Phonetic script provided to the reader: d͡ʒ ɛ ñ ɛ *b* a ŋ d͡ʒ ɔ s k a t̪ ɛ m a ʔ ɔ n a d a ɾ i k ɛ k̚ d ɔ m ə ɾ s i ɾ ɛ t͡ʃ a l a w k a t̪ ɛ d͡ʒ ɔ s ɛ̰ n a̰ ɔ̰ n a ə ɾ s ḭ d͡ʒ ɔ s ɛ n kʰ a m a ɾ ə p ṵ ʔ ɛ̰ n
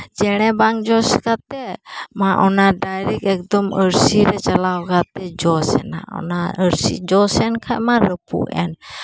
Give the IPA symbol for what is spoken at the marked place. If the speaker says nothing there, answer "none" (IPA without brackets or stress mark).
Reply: b